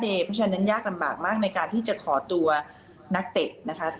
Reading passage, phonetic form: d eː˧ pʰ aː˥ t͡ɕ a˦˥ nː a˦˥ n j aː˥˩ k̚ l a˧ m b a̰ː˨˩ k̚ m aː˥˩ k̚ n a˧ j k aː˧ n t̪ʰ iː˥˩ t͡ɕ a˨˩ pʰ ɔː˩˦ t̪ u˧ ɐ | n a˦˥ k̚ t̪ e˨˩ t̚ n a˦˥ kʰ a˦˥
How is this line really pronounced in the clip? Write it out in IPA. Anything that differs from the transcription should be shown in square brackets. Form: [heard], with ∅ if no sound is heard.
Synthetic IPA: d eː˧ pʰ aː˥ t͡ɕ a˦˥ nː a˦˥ n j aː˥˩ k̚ l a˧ m b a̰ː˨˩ k̚ m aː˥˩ k̚ n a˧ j k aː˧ n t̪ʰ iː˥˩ t͡ɕ a˨˩ [kʰ] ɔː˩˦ t̪ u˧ ɐ | n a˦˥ k̚ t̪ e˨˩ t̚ n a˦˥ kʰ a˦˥